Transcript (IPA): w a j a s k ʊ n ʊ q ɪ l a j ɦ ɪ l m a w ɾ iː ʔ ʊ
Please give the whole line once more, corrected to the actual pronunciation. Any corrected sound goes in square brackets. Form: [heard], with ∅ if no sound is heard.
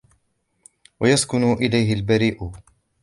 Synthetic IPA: w a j a s k ʊ n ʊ [ʔ] ɪ l a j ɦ ɪ l [b] a [∅] ɾ iː ʔ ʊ